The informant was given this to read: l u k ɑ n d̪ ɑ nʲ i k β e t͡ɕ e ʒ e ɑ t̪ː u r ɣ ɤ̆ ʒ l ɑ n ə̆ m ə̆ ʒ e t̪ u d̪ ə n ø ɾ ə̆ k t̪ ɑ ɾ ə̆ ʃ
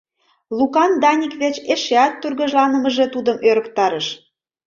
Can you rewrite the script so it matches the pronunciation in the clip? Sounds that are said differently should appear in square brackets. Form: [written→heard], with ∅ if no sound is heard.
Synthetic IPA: l u k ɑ n d̪ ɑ nʲ i k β e t͡ɕ e [ʒ→ʃ] e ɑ t̪ː u r ɣ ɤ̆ ʒ l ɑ n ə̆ m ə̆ ʒ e t̪ u d̪ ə [n→m] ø ɾ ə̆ k t̪ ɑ ɾ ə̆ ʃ